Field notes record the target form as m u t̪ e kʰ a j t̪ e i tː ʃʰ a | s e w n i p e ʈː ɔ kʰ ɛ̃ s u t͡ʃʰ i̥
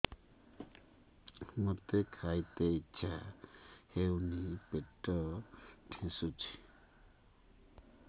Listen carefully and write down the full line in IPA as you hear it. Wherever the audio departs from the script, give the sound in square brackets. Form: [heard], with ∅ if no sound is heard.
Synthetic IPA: m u t̪ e kʰ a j t̪ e i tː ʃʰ a | [h] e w n i p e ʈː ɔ [ʈʰ] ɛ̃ s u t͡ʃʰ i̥